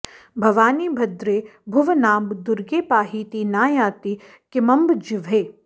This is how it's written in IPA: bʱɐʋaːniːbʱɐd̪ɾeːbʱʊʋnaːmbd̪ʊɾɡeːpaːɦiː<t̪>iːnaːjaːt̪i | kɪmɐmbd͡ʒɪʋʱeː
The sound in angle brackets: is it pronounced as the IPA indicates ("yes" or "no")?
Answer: yes